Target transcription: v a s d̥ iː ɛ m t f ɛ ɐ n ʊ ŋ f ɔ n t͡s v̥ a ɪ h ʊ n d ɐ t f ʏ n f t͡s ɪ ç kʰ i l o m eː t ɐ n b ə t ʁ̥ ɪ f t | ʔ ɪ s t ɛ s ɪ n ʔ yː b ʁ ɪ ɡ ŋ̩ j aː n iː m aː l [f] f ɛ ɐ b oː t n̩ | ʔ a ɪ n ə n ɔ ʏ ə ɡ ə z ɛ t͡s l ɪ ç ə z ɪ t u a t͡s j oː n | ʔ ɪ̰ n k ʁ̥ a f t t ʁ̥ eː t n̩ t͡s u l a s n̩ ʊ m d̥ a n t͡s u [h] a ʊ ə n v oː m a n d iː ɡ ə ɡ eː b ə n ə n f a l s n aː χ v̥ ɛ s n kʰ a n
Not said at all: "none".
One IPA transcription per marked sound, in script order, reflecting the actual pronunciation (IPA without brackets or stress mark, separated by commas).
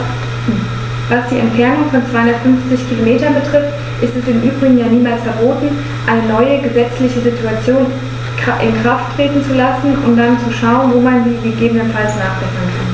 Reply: s, ʃ